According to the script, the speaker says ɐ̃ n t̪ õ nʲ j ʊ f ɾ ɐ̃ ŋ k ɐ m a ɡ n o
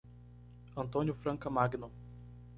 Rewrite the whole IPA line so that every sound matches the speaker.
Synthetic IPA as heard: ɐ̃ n t̪ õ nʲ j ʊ f ɾ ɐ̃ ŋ k ɐ m a ɡ n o